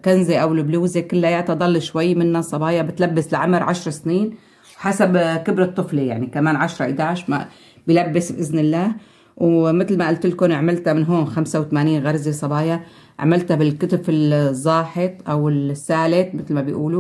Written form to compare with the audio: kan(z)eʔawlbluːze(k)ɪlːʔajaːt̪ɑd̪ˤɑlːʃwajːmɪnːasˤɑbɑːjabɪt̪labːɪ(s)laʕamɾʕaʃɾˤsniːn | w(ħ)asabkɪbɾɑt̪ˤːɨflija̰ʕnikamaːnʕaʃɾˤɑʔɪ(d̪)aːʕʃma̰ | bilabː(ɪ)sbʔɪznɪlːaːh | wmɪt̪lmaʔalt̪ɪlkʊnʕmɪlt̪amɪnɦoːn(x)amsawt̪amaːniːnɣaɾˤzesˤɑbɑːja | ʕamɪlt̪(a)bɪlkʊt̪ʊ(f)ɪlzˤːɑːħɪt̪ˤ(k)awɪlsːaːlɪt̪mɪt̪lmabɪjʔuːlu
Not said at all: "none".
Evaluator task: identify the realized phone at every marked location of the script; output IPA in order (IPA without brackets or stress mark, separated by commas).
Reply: z, k, s, ħ, d̪, ɪ, x, a, f, ʔ